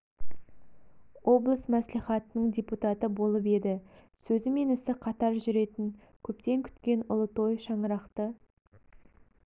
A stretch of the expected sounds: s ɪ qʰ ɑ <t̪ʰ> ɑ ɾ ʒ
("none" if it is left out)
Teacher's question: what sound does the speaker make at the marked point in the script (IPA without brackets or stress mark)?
t̪